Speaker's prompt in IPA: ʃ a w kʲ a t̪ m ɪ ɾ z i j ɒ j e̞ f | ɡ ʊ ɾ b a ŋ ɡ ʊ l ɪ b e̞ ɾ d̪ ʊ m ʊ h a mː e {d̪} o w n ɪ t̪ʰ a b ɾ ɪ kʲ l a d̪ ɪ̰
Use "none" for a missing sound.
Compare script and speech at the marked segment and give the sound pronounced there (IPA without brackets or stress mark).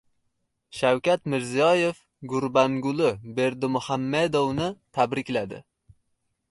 d̪